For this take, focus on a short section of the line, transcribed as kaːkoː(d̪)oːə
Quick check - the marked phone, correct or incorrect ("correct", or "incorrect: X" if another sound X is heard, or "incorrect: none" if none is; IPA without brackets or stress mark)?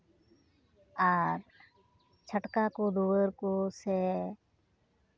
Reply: correct